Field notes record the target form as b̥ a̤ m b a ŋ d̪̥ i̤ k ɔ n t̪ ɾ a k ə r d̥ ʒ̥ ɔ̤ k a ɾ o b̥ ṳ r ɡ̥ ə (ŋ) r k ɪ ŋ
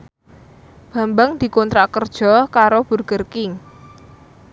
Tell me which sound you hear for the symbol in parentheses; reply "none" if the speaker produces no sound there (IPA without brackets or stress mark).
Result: none